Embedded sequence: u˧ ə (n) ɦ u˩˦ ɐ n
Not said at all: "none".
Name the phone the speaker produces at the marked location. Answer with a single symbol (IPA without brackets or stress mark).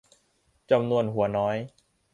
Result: n